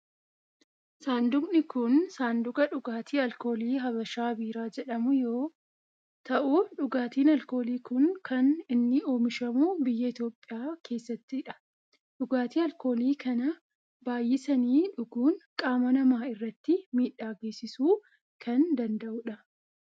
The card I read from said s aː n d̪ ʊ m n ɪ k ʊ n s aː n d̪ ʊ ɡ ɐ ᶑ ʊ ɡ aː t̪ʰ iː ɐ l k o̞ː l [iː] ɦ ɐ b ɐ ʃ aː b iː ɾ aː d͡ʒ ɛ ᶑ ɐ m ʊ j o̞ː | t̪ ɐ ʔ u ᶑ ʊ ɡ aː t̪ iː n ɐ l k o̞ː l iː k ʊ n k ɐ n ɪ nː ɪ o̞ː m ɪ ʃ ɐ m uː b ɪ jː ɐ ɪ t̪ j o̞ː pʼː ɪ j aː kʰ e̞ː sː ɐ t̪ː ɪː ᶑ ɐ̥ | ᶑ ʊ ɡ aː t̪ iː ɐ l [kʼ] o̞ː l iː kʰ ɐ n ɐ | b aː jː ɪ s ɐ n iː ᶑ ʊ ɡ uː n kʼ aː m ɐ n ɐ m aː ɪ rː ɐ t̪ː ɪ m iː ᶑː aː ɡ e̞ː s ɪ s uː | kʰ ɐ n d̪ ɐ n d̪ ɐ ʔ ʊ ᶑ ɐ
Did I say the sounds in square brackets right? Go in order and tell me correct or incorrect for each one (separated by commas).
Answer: correct, incorrect